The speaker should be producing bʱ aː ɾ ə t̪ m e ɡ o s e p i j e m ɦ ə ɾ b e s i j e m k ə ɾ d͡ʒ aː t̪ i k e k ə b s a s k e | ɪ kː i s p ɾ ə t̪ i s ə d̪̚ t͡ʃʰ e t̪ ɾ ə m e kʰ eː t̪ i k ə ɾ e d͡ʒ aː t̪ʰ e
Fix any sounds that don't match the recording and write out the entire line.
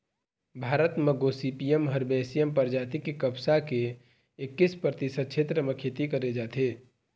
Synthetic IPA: bʱ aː ɾ ə t̪ m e ɡ o s i p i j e m ɦ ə ɾ b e s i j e m p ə ɾ d͡ʒ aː t̪ i k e k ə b s a k e | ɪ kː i s p ɾ ə t̪ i s ə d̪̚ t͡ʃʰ e t̪ ɾ ə m e kʰ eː t̪ i k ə ɾ e d͡ʒ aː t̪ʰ e